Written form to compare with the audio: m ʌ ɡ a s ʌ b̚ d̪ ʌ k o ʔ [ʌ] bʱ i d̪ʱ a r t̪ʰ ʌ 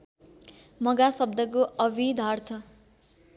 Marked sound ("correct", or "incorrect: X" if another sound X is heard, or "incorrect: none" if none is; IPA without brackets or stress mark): correct